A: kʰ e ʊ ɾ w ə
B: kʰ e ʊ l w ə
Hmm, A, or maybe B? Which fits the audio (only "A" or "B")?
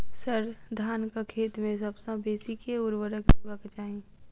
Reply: A